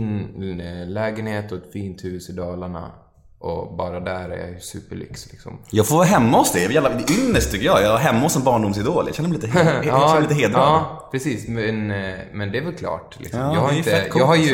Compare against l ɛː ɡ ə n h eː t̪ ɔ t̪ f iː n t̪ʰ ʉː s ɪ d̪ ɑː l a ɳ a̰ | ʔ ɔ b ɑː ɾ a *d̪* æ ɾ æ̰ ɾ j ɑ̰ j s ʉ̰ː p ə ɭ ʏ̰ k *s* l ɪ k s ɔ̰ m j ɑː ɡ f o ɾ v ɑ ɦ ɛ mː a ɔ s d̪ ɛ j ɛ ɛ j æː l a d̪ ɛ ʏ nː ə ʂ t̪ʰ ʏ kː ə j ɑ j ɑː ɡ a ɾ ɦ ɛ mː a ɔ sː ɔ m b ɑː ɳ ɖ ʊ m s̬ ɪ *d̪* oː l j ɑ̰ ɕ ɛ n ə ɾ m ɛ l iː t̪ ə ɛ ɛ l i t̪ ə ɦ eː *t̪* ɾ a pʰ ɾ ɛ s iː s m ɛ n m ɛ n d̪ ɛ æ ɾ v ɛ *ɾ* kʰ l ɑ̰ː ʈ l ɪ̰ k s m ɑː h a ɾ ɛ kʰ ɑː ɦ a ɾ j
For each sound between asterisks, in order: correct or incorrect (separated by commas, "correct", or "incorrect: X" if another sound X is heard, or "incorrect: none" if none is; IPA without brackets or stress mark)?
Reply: correct, correct, correct, incorrect: d̪, incorrect: l